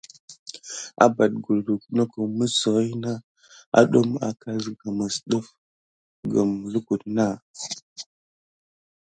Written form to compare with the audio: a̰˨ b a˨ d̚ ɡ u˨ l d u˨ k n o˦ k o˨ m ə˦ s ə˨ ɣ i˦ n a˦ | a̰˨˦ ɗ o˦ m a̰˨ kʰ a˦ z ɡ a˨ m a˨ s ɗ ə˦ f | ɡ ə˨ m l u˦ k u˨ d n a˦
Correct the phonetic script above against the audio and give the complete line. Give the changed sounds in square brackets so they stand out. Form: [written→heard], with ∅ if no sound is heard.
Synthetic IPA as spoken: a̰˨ b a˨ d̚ ɡ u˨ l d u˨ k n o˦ k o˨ m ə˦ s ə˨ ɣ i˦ n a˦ | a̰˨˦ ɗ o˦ m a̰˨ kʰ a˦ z ɡ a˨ m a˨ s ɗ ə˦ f | ɡ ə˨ m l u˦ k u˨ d n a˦

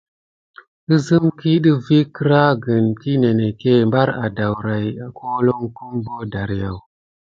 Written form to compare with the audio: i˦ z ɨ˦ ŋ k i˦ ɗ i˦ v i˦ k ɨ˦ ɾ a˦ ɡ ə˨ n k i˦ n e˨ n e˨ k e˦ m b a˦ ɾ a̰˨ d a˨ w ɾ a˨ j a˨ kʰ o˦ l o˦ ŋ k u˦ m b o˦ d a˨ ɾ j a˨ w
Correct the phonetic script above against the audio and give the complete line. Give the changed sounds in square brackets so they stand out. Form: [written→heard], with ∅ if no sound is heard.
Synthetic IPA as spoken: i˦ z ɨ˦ [ŋ→m] k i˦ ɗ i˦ v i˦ k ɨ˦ ɾ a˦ ɡ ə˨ n k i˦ n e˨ n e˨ k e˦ m b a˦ ɾ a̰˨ d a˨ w ɾ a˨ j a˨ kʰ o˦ l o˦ ŋ k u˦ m b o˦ d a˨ ɾ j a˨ w

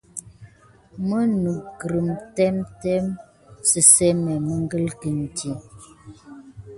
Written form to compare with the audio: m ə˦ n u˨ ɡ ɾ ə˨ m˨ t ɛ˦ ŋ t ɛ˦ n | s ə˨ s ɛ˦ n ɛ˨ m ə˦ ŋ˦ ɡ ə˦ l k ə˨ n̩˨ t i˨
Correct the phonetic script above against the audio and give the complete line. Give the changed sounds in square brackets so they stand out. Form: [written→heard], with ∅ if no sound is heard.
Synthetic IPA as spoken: m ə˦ n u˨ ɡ ɾ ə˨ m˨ t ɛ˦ [ŋ→m] t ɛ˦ [n→m] | s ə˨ s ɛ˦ [n→m] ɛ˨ m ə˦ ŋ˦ ɡ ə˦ l k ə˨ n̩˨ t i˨

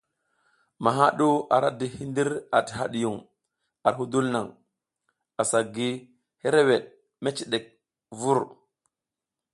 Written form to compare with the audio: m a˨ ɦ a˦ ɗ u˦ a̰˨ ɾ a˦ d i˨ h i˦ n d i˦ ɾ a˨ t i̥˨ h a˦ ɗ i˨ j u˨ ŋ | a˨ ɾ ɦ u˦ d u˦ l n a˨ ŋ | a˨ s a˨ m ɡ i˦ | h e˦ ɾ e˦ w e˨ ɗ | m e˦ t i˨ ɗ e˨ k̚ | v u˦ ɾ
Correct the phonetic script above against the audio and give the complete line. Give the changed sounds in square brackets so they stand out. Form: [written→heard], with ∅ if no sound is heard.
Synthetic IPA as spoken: m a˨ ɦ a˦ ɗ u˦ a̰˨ ɾ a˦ d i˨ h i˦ n d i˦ ɾ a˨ t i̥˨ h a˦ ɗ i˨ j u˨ ŋ | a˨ ɾ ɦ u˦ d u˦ l n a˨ ŋ | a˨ s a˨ [m→∅] ɡ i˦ | h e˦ ɾ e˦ w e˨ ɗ | m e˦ [t→t͡ʃ] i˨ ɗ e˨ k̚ | v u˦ ɾ

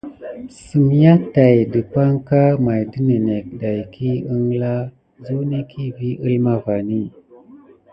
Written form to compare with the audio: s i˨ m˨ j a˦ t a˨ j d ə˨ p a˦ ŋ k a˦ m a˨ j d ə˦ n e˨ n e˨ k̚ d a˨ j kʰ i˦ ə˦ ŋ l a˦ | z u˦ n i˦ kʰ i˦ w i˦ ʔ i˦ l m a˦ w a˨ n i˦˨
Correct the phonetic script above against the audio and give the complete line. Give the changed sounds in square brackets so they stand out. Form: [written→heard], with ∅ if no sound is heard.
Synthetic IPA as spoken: s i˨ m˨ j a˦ t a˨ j d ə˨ p a˦ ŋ k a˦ m a˨ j d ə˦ n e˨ n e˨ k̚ d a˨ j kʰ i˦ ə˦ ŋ l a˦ | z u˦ n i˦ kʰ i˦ [w→v] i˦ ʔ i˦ l m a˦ [w→v] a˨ n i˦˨

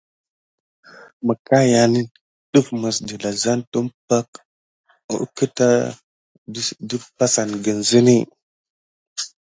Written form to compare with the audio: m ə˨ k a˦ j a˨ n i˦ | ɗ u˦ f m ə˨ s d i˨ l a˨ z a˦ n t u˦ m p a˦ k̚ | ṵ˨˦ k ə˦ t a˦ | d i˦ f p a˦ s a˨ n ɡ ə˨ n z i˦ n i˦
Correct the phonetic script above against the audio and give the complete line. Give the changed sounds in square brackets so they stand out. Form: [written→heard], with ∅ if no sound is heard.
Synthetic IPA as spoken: m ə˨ k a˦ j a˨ n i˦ | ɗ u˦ f m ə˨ s d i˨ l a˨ z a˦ n t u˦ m p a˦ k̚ | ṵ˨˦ k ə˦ t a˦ | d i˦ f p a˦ s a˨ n ɡ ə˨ n z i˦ n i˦

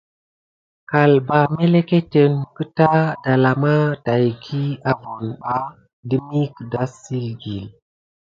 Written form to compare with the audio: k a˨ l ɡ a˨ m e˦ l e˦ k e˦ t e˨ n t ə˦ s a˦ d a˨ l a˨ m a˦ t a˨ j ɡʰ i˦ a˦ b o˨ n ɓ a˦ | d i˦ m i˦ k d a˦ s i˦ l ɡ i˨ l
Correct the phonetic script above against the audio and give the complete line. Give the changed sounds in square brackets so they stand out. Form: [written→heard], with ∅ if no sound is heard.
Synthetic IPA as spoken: k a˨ l [ɡ→b] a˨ m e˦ l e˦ k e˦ t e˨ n [t→k] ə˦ [s→t] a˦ d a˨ l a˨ m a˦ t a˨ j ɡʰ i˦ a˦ [b→v] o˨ n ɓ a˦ | d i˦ m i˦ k d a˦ s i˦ l ɡ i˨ l

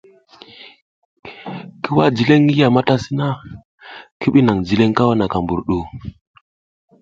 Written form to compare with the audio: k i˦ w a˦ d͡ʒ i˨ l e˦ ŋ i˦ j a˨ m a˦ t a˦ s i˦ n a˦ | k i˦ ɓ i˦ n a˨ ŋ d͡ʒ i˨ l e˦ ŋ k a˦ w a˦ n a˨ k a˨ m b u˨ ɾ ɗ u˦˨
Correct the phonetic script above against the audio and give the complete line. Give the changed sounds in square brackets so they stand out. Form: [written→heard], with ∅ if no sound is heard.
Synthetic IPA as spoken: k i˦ w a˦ d͡ʒ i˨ l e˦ ŋ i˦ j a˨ m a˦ t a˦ s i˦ n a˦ | k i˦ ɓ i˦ n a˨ ŋ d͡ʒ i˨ l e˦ ŋ k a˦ w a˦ n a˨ k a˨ m b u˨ ɾ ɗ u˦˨

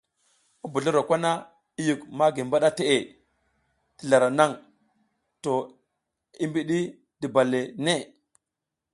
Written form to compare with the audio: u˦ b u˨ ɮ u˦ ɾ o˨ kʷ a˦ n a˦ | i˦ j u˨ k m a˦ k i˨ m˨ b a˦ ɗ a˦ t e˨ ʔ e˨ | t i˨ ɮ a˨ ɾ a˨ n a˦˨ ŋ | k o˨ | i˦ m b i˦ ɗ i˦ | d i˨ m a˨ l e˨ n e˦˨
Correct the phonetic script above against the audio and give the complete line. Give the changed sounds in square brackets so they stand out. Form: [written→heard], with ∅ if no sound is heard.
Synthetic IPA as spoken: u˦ b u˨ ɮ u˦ ɾ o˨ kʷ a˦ n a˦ | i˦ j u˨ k m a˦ [k→ɡ] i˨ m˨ b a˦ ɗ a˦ t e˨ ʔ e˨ | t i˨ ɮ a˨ ɾ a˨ n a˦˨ ŋ | [k→t] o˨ | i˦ m b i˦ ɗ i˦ | d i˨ [m→b] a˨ l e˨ n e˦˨

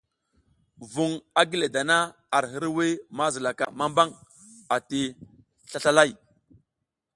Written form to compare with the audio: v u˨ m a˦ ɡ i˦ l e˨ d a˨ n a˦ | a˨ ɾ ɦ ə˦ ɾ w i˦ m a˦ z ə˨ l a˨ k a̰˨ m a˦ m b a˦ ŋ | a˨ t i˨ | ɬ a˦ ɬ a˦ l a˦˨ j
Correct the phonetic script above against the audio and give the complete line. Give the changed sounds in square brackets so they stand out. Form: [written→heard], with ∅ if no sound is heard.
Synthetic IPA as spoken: v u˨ [m→ŋ] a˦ ɡ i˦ l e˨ d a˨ n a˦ | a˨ ɾ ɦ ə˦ ɾ w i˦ m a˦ z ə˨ l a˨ k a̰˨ m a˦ m b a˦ ŋ | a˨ t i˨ | ɬ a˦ ɬ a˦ l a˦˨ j

